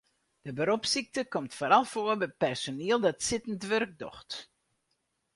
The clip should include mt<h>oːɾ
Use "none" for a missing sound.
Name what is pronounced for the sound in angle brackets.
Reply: f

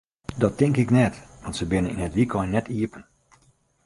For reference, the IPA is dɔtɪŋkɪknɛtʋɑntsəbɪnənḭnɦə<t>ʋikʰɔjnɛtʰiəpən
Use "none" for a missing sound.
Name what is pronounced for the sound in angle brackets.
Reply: t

